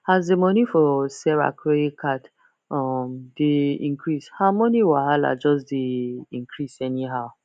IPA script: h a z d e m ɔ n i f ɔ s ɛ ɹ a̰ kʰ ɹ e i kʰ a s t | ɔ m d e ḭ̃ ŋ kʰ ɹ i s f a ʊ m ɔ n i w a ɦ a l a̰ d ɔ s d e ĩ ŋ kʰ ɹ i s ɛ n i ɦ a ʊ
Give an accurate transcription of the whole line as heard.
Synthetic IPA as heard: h a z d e m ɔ n i f ɔ s ɛ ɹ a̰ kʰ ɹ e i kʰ a t | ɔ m d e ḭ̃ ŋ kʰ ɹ i s h a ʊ m ɔ n i w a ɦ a l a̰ d͡ʒ ɔ s d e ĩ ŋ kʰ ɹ i s ɛ n i ɦ a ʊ

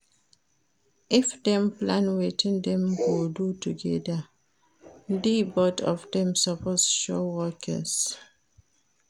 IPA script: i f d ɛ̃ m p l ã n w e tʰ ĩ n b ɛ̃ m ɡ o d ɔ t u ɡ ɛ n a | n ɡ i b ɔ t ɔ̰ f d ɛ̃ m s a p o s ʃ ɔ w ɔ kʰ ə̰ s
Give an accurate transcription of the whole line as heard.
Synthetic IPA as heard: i f d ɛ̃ m p l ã n w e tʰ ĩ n d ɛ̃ m ɡ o d u t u ɡ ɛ d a | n d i b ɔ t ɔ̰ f d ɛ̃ m s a p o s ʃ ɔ w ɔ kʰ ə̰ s

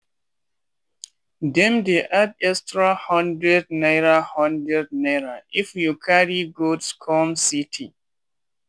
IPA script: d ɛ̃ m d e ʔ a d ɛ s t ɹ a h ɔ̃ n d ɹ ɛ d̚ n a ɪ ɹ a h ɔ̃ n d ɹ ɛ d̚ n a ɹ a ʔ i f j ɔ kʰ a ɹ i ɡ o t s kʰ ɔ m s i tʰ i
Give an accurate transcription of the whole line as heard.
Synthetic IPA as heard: d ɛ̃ m d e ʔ a d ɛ s t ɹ a h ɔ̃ n d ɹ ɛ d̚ n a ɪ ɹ a h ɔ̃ n d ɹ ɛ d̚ n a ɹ a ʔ i f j u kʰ a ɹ i ɡ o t s kʰ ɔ m s i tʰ i

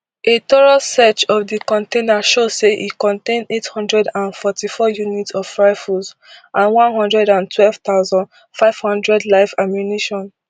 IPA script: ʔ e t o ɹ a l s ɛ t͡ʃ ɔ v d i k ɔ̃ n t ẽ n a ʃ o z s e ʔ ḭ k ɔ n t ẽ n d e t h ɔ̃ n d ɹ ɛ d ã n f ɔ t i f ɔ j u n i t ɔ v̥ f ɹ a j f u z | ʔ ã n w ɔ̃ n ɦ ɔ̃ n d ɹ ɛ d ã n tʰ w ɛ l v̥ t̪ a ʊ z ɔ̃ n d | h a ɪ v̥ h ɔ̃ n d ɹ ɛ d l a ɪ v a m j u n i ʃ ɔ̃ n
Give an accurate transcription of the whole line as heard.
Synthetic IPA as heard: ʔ e t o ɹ a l s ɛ t͡ʃ ɔ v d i k ɔ̃ n t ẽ n a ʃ o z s e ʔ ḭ k ɔ̃ n t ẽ n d e t h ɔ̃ n d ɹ ɛ d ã n f ɔ t i f ɔ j u n i t ɔ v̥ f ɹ a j f u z | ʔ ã n w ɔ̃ n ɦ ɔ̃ n d ɹ ɛ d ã n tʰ w ɛ l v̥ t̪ a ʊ z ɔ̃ n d | f a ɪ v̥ h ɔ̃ n d ɹ ɛ d l a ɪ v a m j u n i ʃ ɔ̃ n

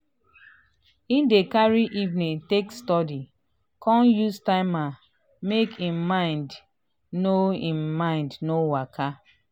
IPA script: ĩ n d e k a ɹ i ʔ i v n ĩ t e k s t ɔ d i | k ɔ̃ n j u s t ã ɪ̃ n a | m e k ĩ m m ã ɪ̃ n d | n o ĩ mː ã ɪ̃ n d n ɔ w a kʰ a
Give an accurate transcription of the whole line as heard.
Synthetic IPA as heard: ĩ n d e k a ɹ i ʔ i v n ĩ t e k s t ɔ d i | k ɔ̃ n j u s t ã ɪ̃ m a | m e k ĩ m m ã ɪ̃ n d | n o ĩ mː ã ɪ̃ n d n o w a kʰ a

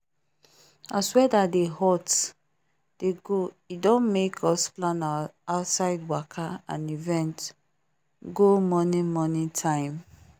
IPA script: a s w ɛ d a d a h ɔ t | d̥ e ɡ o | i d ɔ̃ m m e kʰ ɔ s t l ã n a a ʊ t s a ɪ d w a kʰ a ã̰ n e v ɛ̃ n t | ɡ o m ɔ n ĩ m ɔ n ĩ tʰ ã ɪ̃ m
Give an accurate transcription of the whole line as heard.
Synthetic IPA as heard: a s w ɛ d a d e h ɔ t | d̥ e ɡ o | i d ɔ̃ n m e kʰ ɔ s p l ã n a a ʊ t s a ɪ d w a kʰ a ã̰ n i v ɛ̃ n t | ɡ o m ɔ n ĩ m ɔ n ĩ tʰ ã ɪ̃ m

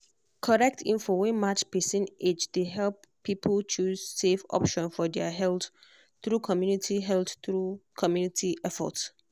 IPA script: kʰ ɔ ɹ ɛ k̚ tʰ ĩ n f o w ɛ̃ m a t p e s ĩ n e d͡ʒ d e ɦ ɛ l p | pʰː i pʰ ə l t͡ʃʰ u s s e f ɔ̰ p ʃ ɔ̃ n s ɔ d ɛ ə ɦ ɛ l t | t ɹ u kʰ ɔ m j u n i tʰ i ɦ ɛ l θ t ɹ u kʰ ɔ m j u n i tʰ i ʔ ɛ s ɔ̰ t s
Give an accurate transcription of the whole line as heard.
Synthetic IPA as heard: kʰ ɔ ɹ ɛ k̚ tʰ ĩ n f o w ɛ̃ m a t͡ʃ p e s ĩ n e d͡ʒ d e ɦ ɛ l p | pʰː i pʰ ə l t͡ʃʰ u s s e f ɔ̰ p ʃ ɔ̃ n f ɔ d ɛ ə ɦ ɛ l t | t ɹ u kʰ ɔ m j u n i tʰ i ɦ ɛ l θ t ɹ u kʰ ɔ m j u n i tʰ i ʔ ɛ f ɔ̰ t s

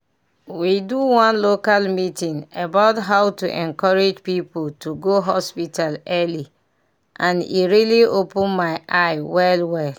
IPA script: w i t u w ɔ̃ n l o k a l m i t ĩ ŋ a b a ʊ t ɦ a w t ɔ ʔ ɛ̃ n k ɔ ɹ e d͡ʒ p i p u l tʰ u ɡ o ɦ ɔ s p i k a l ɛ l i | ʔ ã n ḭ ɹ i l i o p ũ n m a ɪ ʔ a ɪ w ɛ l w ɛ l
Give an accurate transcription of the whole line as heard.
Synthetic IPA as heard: w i d u w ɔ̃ n l o k a l m i t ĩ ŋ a b a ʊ t ɦ a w t u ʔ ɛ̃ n k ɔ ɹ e d͡ʒ p i p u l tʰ u ɡ o ɦ ɔ s p i t a l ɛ l i | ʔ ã n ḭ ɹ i l i o p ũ n m a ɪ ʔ a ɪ w ɛ l w ɛ l

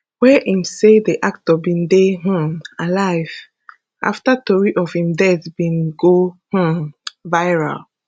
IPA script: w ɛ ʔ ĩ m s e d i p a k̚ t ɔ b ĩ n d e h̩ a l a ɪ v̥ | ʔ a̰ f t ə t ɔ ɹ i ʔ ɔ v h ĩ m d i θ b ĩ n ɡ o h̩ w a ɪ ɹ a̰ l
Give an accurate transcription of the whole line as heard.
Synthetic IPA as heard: w ɛ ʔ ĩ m s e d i ʔ a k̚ t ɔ b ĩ n d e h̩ a l a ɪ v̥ | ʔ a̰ f t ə t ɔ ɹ i ʔ ɔ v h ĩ m d ɛ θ b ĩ n ɡ o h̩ v a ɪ ɹ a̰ l

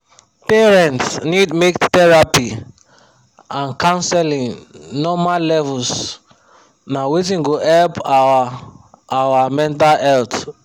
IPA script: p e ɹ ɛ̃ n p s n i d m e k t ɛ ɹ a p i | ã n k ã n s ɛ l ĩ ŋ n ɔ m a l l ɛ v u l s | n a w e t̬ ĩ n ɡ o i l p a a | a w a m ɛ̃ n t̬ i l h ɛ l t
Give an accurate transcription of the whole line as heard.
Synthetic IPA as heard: p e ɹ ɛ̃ n t s n i d m e k t ɛ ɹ a p i | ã n k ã n s ɛ l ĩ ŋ n ɔ m a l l ɛ v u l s | n a w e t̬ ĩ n ɡ o ɛ l p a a | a w a m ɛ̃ n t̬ a l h ɛ l t

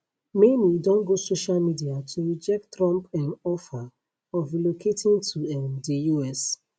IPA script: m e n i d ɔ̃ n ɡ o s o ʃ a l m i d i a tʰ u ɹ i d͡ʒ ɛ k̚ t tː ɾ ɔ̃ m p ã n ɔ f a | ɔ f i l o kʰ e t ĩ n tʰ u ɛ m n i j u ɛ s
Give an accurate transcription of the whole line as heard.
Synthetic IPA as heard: m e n i d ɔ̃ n ɡ o s o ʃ a l m i d i a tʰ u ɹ i d͡ʒ ɛ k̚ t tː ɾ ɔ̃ m p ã n ɔ f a | ɔ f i l o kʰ e t ĩ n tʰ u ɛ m d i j u ɛ s

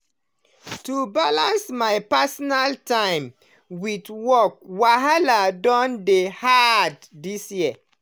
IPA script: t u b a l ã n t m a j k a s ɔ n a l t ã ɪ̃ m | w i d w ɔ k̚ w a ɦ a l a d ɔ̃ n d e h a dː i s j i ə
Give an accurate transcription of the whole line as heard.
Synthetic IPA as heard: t u b a l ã n s m a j p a s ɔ n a l t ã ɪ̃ m | w i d w ɔ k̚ w a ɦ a l a d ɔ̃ n d e h a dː i s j i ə

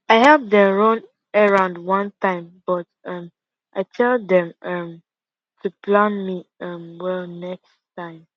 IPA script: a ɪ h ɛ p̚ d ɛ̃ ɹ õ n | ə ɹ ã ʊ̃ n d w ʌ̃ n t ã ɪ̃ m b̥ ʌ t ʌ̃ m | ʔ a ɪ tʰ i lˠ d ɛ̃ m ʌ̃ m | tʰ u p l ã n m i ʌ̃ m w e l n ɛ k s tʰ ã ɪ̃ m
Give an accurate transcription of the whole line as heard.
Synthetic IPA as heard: a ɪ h ɛ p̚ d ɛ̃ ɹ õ n | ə ɹ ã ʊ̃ n d w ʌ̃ n t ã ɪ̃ m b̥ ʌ t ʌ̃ m | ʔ a ɪ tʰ ɛ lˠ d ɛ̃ m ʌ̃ m | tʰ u p l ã n m i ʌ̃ m w ɛ l n ɛ k s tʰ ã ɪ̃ m

